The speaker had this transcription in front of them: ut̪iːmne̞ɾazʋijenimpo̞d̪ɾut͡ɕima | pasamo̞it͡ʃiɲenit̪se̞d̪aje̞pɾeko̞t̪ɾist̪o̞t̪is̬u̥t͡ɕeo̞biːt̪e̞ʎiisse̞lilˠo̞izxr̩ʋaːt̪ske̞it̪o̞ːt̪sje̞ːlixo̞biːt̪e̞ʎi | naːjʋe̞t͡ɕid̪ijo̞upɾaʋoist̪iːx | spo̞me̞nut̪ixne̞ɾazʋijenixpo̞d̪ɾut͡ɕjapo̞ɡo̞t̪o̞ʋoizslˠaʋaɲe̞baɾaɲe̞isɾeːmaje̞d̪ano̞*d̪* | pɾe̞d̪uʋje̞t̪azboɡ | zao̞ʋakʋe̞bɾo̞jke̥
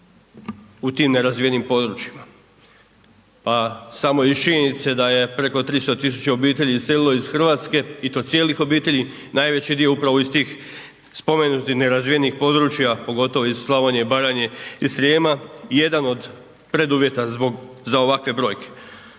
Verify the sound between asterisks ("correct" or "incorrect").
correct